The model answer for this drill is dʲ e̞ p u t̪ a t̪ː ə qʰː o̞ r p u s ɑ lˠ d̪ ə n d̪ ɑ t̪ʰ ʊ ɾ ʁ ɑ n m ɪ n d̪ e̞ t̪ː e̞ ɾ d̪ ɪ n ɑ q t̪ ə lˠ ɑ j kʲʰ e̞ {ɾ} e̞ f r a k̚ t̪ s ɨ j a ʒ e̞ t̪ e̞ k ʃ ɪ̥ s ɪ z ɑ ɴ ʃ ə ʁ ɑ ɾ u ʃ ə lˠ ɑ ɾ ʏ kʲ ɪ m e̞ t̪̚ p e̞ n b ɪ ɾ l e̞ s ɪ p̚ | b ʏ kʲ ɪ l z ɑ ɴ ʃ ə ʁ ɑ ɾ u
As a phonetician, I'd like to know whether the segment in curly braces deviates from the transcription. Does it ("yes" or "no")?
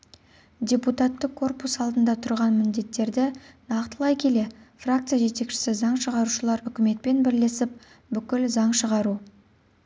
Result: yes